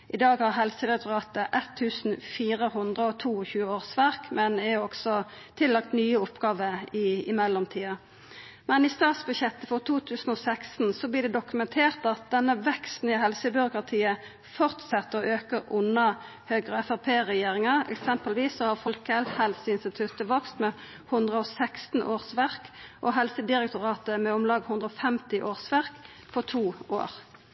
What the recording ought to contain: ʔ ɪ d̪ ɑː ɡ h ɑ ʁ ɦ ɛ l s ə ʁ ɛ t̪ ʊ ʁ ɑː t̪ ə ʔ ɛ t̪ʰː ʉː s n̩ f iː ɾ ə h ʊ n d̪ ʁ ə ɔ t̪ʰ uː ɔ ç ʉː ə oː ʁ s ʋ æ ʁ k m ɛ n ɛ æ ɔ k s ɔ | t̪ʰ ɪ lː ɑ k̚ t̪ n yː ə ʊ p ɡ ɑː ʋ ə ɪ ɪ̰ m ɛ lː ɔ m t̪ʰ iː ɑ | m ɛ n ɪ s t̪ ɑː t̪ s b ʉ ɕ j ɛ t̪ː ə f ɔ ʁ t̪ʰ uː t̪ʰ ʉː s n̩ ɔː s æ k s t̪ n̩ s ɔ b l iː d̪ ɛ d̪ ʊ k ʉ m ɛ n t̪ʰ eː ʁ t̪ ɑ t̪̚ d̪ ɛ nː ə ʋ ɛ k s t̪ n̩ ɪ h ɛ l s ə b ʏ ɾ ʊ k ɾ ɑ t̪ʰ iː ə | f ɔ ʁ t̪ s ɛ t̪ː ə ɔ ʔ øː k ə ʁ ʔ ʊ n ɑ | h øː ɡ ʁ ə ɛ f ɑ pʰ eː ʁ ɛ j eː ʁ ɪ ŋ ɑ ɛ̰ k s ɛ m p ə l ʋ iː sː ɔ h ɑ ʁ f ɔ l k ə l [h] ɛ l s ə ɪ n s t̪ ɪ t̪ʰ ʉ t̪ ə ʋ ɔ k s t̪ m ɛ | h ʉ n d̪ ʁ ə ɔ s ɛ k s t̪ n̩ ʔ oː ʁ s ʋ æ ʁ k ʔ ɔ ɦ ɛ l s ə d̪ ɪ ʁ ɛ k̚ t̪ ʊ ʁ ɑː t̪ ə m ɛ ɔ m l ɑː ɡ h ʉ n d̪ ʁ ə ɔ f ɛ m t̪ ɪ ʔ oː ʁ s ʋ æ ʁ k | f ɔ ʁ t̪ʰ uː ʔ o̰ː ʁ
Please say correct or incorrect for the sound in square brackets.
correct